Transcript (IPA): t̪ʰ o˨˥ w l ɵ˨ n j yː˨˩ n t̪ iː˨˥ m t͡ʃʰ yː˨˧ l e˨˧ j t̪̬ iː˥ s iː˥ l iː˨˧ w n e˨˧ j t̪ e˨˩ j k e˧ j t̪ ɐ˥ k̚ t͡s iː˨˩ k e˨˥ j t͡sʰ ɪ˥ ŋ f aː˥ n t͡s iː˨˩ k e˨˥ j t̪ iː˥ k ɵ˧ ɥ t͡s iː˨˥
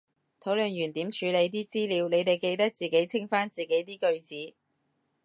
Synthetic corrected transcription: t̪ʰ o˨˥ w l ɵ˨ n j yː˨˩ n t̪ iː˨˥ m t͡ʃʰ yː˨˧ l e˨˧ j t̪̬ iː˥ t͡s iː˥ l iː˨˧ w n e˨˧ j t̪ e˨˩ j k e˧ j t̪ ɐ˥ k̚ t͡s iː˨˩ k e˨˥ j t͡sʰ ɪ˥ ŋ f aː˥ n t͡s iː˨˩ k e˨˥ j t̪ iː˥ k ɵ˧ ɥ t͡s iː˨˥

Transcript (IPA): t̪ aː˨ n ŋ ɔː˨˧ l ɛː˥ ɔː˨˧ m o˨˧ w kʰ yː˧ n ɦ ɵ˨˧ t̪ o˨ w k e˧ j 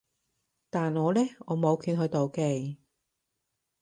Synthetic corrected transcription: t̪ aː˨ n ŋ ɔː˨˧ l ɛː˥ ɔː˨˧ m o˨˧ w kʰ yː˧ n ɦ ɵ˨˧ t̪ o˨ w k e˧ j

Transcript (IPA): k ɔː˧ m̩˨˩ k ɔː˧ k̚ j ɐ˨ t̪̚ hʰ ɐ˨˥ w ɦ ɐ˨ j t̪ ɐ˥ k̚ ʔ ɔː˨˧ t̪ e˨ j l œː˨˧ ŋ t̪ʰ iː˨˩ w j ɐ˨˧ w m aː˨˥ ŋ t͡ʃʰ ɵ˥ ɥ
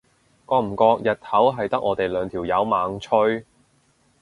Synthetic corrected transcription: k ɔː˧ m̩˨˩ k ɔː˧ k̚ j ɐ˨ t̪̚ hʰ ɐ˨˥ w ɦ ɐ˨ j t̪ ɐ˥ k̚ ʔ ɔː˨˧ t̪ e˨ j l œː˨˧ ŋ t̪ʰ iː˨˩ w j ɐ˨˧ w m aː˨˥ ŋ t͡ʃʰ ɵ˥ ɥ

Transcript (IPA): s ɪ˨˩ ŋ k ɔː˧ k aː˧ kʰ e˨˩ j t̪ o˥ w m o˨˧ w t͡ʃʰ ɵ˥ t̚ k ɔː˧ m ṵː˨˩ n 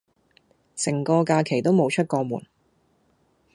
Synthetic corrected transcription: s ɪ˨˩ ŋ k ɔː˧ k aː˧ kʰ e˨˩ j t̪ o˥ w m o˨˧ w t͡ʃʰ ɵ˥ t̚ k ɔː˧ m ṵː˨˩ n

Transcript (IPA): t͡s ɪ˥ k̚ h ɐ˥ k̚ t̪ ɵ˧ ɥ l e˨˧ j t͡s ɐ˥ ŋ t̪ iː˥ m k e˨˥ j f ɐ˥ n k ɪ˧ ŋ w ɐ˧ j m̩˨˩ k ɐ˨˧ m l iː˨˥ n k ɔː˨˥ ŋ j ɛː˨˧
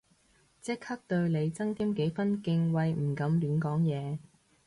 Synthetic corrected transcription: t͡s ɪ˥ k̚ h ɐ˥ k̚ t̪ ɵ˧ ɥ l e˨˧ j t͡s ɐ˥ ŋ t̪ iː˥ m k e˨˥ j f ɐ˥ n k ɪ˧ ŋ w ɐ˧ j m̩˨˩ k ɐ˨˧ m l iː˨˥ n k ɔː˨˥ ŋ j ɛː˨˧

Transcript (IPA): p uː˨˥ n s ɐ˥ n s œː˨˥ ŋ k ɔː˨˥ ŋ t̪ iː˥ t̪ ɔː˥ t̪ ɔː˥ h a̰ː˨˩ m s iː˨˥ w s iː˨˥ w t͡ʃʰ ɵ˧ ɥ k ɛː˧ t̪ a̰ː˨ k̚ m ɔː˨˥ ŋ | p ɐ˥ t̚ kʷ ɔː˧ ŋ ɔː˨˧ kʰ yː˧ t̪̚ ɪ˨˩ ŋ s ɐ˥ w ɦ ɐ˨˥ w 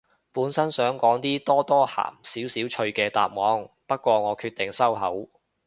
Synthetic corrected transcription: p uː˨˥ n s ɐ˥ n s œː˨˥ ŋ k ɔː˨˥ ŋ t̪ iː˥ t̪ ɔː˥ t̪ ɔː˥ h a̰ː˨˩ m s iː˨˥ w s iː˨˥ w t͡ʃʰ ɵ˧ ɥ k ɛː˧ t̪ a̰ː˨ p̚ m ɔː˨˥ ŋ | p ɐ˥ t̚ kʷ ɔː˧ ŋ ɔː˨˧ kʰ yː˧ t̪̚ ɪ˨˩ ŋ s ɐ˥ w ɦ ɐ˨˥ w

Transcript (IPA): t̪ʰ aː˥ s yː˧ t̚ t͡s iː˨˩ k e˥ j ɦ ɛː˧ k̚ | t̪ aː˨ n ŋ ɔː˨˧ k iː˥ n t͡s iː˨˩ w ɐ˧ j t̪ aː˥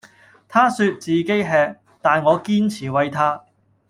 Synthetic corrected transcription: t̪ʰ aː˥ s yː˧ t̚ t͡s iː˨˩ k e˥ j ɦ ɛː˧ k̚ | t̪ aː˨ n ŋ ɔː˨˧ k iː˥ n t͡sʰ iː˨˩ w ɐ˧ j t̪ʰ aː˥

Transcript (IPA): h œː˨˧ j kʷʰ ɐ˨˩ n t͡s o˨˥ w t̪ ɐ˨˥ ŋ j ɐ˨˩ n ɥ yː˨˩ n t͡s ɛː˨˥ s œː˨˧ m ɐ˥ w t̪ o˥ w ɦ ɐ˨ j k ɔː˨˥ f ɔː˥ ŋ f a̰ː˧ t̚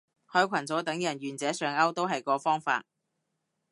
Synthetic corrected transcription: h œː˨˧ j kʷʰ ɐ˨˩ n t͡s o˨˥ w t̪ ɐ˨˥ ŋ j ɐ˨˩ n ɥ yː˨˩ n t͡s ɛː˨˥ s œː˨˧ ŋ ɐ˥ w t̪ o˥ w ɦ ɐ˨ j k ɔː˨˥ f ɔː˥ ŋ f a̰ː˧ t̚

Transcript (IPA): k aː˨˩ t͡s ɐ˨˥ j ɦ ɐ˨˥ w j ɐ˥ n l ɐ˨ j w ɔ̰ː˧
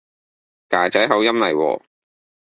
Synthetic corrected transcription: k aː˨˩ t͡s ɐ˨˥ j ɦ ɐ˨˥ w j ɐ˥ m l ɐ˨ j w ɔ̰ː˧

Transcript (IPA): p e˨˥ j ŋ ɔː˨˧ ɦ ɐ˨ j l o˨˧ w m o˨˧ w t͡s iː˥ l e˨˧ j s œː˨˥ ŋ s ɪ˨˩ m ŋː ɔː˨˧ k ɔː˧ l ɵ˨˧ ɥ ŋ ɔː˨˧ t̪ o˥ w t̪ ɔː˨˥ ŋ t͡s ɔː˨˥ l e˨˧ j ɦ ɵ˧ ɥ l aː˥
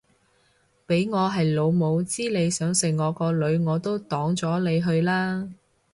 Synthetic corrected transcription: p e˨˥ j ŋ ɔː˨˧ ɦ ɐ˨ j l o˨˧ w m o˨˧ w t͡s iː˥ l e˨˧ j s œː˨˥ ŋ s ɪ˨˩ ŋ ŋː ɔː˨˧ k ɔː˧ l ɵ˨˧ ɥ ŋ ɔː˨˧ t̪ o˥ w t̪ ɔː˨˥ ŋ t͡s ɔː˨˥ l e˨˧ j ɦ ɵ˧ ɥ l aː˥

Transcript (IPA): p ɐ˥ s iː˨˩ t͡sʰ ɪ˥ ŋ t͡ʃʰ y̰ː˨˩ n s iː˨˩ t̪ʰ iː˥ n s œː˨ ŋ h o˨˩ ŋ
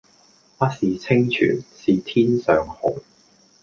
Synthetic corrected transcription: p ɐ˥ s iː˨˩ t͡sʰ ɪ˥ ŋ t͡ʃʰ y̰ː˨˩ n s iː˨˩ t̪ʰ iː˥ n s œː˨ ŋ h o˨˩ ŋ

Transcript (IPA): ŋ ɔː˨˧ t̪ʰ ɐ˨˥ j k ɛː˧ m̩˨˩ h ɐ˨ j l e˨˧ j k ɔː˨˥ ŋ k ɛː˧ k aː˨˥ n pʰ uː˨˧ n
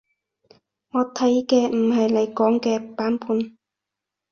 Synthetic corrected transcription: ŋ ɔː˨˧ t̪ʰ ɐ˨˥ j k ɛː˧ m̩˨˩ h ɐ˨ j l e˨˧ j k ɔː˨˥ ŋ k ɛː˧ p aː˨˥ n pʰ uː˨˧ n

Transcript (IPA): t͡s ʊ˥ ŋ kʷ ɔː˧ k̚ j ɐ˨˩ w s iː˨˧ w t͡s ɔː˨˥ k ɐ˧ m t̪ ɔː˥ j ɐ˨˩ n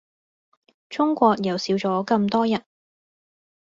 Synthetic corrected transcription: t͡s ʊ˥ ŋ kʷ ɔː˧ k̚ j ɐ˨˩ w s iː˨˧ w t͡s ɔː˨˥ k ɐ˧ m t̪ ɔː˥ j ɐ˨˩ n

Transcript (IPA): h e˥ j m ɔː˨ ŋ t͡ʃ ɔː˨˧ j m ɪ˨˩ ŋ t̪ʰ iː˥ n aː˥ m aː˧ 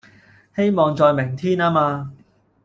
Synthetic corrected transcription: h e˥ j m ɔː˨ ŋ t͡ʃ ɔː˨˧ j m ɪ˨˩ ŋ t̪ʰ iː˥ n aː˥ m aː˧

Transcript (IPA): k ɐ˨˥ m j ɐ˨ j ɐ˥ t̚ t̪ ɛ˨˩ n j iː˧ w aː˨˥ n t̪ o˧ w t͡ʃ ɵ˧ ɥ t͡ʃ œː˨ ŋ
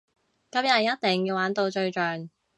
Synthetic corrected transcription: k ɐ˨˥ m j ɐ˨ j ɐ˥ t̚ t̪ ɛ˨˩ ŋ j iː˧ w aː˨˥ n t̪ o˧ w t͡ʃ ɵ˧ ɥ t͡ʃ œː˨ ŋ

